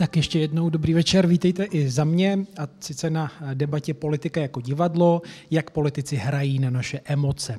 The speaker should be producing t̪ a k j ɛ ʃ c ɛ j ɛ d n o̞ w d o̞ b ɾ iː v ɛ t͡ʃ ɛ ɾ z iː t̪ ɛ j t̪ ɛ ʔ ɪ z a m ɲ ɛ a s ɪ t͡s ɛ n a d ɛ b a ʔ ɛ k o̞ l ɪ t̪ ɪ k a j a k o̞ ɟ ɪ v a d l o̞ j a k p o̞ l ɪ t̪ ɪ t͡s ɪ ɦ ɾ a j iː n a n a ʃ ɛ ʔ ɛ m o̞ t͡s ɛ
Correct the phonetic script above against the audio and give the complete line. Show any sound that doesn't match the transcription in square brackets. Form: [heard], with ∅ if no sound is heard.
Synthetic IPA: t̪ a k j ɛ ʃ c ɛ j ɛ d n o̞ w d o̞ b ɾ iː v ɛ t͡ʃ ɛ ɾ [v] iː t̪ ɛ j t̪ ɛ ʔ ɪ z a m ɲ ɛ a s ɪ t͡s ɛ n a d ɛ b a [c] ɛ [p] o̞ l ɪ t̪ ɪ k a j a k o̞ ɟ ɪ v a d l o̞ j a k p o̞ l ɪ t̪ ɪ t͡s ɪ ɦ ɾ a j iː n a n a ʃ ɛ ʔ ɛ m o̞ t͡s ɛ